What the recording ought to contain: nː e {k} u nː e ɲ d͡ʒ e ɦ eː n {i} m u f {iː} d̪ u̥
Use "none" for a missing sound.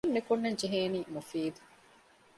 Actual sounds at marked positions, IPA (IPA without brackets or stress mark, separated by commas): k, iː, iː